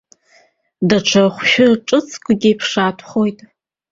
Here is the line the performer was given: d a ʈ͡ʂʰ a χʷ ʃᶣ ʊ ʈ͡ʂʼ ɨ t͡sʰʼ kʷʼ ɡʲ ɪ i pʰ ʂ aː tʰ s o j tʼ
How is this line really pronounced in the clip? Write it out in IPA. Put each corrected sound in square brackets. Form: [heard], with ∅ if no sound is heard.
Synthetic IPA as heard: d a ʈ͡ʂʰ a χʷ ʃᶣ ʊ ʈ͡ʂʼ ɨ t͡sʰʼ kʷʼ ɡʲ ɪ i pʰ ʂ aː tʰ [χ] o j tʼ